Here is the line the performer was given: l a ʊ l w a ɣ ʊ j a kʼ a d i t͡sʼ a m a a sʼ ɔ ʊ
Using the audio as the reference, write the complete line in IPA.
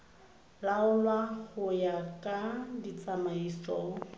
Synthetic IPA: l a ʊ l w a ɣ ʊ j a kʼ a d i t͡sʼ a m a i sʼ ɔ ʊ